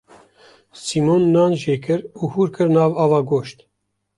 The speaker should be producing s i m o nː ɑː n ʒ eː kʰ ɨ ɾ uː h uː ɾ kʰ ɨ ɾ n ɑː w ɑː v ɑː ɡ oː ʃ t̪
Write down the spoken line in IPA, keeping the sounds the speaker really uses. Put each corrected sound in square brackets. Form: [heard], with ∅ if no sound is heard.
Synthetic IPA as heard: s i m o nː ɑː n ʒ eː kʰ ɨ ɾ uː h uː ɾ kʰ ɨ ɾ n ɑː [v] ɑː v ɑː ɡ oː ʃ t̪